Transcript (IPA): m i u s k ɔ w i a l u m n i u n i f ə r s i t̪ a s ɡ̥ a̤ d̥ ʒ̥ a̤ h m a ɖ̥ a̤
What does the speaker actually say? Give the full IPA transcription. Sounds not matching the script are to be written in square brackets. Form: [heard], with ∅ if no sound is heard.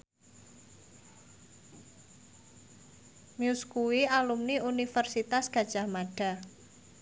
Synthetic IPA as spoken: m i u s k [u] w i a l u m n i u n i f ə r s i t̪ a s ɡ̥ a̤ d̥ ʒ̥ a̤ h m a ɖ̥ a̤

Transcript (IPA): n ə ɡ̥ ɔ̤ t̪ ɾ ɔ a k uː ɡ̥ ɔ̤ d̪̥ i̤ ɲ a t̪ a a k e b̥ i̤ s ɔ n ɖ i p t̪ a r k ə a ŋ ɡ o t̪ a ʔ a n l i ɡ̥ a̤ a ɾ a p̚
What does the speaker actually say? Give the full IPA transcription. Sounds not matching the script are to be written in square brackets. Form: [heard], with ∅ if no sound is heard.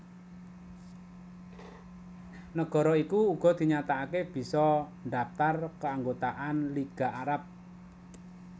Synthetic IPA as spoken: n ə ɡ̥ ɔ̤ [∅] ɾ ɔ [i] k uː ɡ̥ ɔ̤ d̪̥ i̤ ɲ a t̪ a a k e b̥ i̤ s ɔ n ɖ [a] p t̪ a r k ə a ŋ ɡ o t̪ a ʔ a n l i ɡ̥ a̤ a ɾ a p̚

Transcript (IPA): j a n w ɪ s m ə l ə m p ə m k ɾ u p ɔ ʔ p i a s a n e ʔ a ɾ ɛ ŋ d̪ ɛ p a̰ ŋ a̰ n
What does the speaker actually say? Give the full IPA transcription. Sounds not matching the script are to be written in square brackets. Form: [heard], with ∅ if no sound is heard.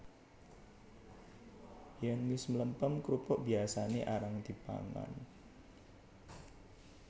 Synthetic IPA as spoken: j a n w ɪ s m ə l ə m p ə m k ɾ u p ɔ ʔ [b] i a s a n e ʔ a ɾ [a] ŋ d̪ [i] p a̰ ŋ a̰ n

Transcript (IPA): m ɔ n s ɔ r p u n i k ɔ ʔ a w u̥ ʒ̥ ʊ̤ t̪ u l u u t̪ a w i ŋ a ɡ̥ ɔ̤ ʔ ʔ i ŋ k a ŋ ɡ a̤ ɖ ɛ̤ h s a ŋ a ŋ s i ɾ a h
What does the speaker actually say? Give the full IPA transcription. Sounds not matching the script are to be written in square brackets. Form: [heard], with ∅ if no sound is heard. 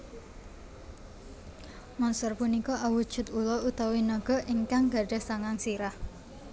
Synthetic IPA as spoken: m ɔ n s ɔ r p u n i k ɔ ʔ a w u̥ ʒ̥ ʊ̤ t̪ u l [ɔ] u t̪ a w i [n] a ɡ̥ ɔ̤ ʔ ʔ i ŋ k a ŋ ɡ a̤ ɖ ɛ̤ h s a ŋ a ŋ s i ɾ a h

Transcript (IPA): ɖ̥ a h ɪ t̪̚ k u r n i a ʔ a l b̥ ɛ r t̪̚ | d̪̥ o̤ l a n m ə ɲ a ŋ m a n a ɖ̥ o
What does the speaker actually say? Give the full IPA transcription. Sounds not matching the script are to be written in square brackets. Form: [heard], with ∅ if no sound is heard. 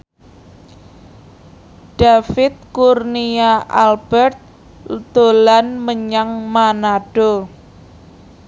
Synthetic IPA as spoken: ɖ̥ a [f] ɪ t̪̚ k u r n i a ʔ a l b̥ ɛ r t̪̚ | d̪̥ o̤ l a n m ə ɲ a ŋ m a n a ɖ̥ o

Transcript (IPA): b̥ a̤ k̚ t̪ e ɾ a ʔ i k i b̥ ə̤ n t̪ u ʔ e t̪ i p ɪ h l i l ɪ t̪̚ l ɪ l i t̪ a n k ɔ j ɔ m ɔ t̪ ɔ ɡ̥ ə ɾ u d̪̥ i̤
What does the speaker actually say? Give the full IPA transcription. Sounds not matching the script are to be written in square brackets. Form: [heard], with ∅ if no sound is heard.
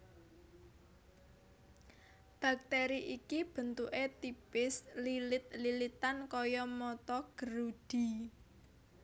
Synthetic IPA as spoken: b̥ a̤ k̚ t̪ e ɾ [i] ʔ i k i b̥ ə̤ n t̪ u ʔ e t̪ i p ɪ [s] l i l ɪ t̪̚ l [i] l i t̪ a n k ɔ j ɔ m ɔ t̪ ɔ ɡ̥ ə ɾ u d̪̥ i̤

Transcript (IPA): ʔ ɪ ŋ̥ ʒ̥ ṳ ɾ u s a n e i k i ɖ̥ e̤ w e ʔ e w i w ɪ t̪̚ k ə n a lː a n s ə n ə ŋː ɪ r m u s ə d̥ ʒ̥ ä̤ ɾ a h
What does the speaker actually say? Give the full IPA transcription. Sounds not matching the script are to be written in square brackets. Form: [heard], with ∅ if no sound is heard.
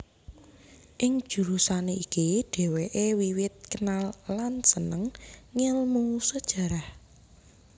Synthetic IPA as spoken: ʔ ɪ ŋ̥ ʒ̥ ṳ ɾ u s a n e i k i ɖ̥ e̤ w e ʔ e w i w ɪ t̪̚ k ə n a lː a n s ə n ə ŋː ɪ [l] m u s ə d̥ ʒ̥ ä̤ ɾ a h

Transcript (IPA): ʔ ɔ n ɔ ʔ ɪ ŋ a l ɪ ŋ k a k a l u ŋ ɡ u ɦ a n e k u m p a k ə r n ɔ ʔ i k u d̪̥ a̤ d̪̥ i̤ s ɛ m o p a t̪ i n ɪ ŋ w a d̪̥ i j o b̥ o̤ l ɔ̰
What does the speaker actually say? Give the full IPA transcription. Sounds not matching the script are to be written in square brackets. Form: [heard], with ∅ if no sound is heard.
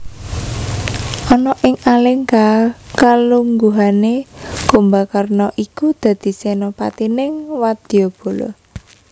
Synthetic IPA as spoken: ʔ ɔ n ɔ ʔ ɪ ŋ a l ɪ ŋ k a k a l u ŋ ɡ u ɦ a n e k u m [b] a k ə r n ɔ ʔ i k u d̪̥ a̤ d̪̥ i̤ s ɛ [n] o p a t̪ i n ɪ ŋ w a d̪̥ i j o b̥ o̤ l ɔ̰

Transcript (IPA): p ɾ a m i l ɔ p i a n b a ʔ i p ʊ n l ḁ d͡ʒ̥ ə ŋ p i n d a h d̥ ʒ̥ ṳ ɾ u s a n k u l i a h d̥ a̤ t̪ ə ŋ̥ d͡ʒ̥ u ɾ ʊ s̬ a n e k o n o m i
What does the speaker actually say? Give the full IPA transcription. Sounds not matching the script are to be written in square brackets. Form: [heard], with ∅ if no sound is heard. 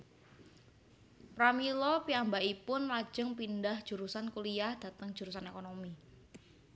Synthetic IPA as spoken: p ɾ a m i l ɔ p i a [m] b a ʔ i p ʊ n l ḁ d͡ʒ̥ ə ŋ p i n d a h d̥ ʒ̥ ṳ ɾ u s a n k u l i a h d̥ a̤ t̪ ə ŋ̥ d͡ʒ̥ u ɾ [u] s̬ a n e k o n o m i

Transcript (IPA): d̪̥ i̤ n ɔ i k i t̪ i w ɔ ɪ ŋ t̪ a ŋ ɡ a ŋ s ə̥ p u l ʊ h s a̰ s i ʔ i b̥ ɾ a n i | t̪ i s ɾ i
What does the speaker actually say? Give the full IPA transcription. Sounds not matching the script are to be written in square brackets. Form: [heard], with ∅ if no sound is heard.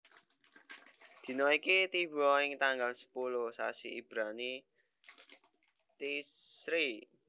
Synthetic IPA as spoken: d̪̥ i̤ n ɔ i k i t̪ i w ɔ ɪ ŋ t̪ a ŋ ɡ a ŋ s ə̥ p u l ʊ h s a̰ s i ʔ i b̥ ɾ a n i | t̪ i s ɾ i

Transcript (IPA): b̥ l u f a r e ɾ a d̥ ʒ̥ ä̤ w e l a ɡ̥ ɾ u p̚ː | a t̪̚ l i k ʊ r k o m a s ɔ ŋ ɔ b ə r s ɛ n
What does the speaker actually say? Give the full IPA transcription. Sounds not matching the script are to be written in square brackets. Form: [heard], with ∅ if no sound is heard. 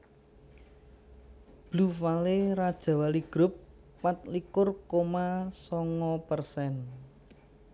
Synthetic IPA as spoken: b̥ l u f a [l] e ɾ a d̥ ʒ̥ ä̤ w [a] l [i] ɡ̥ ɾ [ʊ] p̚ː | a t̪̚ l i k ʊ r k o m a s ɔ ŋ ɔ [p] ə r s ɛ n

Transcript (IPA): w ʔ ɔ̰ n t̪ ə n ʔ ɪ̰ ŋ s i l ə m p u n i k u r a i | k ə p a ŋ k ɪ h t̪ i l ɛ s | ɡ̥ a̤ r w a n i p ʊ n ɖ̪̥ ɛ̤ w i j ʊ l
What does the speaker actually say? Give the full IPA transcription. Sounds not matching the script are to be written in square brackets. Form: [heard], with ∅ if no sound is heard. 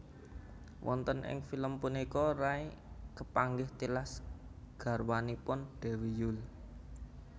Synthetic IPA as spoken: w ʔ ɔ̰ n t̪ ə n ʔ ɪ̰ ŋ [f] i l ə m p u n i k [ɔ] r a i | k ə p a ŋ [ɡ] ɪ h t̪ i l [a] s | ɡ̥ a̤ r w a n i p ʊ n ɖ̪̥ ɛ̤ w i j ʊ l

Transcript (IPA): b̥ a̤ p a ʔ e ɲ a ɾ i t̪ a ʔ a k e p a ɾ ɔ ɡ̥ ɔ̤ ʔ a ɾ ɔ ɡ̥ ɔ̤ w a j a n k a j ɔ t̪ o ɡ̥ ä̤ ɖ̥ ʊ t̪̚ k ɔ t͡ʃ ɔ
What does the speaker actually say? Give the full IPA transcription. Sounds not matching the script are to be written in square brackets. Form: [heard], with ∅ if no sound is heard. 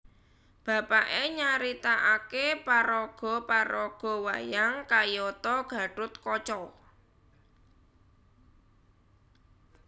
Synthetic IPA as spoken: b̥ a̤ p a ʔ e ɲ a ɾ i t̪ a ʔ a k e p a ɾ ɔ ɡ̥ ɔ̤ [p] a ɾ ɔ ɡ̥ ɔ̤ w a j a [ŋ] k a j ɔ t̪ [ɔ] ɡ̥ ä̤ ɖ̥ ʊ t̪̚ k ɔ t͡ʃ ɔ

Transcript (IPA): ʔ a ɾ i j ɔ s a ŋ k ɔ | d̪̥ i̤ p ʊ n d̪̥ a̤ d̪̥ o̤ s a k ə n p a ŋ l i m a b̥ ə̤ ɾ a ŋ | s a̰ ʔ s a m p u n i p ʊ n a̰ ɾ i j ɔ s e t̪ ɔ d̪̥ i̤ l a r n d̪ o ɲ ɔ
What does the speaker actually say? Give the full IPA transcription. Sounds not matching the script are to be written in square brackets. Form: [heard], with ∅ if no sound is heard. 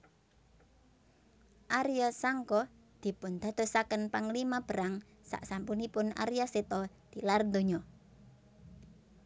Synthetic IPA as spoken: ʔ a ɾ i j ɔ s a ŋ k ɔ | d̪̥ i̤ p ʊ n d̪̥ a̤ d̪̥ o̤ s a k ə n p a ŋ l i m a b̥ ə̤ ɾ a ŋ | s a̰ ʔ s a m p u n i p ʊ n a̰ ɾ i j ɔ s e t̪ ɔ d̪̥ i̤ l a r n d̪ o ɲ ɔ

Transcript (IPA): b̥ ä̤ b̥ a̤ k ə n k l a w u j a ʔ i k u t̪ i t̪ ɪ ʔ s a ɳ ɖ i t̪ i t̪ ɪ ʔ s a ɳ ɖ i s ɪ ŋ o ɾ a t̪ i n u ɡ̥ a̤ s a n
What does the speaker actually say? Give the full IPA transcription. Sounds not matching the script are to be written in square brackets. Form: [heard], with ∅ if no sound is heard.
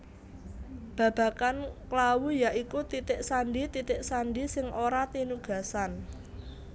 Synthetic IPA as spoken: b̥ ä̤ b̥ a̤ k [a] n k l a w u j a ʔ i k u t̪ i t̪ ɪ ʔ s a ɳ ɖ i t̪ i t̪ ɪ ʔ s a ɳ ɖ i s ɪ ŋ o ɾ a t̪ i n u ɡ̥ a̤ s a n

